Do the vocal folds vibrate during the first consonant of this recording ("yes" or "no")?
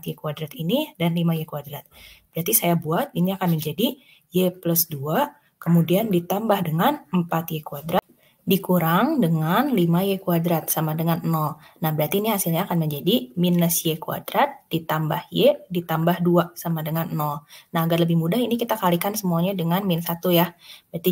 no